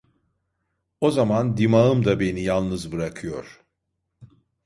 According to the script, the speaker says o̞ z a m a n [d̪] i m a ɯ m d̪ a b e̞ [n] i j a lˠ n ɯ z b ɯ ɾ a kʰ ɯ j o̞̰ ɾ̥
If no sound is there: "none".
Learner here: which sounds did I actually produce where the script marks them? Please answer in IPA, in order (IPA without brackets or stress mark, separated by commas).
d̪, n